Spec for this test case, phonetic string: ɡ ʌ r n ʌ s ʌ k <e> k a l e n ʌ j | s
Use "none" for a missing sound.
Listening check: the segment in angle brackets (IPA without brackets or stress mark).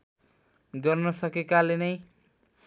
e